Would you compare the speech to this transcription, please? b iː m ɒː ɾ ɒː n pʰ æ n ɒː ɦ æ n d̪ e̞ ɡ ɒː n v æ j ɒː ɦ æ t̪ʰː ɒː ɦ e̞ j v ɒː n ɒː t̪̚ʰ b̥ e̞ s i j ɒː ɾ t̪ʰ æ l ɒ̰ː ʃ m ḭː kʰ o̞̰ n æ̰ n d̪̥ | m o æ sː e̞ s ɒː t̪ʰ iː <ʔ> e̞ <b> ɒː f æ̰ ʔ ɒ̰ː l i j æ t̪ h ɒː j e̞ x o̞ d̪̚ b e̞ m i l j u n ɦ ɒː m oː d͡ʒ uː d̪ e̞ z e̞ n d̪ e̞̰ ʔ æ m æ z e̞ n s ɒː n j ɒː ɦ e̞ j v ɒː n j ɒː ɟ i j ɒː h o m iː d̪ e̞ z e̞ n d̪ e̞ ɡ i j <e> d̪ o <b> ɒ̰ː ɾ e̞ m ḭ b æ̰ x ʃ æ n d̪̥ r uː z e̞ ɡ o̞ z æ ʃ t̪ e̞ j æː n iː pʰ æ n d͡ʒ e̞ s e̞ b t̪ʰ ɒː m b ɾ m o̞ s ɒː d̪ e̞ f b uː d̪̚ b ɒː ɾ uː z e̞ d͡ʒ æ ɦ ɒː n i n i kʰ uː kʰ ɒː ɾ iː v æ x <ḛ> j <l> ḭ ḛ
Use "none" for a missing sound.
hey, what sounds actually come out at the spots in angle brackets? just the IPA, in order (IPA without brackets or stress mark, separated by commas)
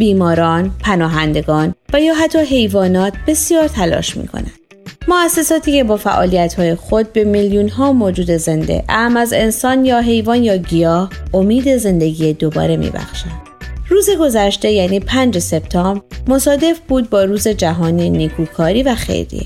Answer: c, b, e, b, ḛ, ɾ